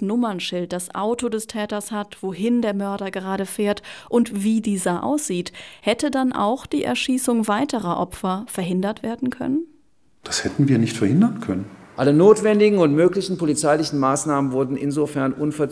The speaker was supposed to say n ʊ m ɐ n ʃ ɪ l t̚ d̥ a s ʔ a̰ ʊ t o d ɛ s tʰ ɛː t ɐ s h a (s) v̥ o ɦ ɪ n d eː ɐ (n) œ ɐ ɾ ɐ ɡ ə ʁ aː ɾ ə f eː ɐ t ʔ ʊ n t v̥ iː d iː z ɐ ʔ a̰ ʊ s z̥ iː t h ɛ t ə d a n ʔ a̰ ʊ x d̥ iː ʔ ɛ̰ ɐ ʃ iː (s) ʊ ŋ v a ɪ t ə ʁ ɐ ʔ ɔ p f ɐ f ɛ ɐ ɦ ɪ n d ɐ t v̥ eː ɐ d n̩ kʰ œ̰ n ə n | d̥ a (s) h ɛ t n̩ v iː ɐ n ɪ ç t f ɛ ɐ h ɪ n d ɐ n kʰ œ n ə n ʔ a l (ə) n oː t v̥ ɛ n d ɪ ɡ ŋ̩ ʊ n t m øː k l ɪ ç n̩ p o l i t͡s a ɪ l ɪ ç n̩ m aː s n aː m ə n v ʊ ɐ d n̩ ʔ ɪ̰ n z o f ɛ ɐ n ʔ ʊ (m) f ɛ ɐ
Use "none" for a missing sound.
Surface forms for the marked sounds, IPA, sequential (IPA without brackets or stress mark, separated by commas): t, m, s, s, ə, n